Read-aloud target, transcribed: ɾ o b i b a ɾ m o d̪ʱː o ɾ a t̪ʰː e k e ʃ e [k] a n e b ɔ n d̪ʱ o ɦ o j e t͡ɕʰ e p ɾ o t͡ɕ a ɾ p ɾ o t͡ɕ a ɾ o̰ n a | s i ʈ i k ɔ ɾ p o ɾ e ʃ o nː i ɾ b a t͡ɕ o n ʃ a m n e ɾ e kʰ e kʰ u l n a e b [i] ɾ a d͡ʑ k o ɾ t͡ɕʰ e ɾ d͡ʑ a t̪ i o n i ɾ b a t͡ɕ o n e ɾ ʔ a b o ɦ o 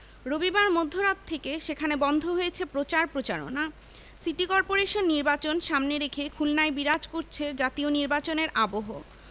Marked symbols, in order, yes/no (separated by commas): no, yes